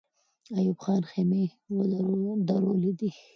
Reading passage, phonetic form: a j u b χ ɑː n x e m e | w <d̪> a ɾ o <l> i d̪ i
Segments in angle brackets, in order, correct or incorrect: correct, correct

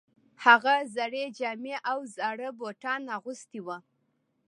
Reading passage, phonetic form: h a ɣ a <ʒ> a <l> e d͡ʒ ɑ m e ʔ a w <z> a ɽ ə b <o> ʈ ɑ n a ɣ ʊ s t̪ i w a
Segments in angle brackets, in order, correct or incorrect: incorrect, incorrect, correct, correct

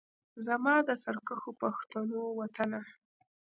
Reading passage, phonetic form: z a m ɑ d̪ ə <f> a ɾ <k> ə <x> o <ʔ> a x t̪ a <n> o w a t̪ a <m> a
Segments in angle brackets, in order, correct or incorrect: incorrect, correct, correct, incorrect, correct, incorrect

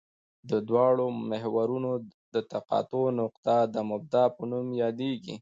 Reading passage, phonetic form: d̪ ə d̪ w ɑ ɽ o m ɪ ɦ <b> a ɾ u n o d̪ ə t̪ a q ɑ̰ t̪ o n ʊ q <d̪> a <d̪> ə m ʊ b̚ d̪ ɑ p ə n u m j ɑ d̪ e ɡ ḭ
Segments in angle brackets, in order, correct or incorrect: incorrect, incorrect, correct

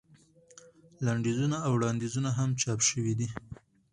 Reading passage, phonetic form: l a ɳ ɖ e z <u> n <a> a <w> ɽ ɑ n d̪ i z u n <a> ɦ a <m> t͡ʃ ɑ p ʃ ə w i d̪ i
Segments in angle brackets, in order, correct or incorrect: correct, correct, correct, correct, correct

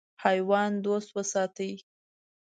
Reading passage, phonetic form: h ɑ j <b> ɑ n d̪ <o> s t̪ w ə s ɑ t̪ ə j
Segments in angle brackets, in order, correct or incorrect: incorrect, correct

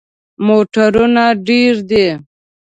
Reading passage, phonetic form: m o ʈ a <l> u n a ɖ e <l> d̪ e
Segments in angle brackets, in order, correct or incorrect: incorrect, incorrect

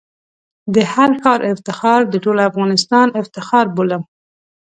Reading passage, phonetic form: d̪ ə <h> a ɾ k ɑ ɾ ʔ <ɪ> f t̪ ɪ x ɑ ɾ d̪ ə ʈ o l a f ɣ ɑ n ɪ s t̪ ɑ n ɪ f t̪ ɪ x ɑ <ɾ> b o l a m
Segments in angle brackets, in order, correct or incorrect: correct, correct, correct

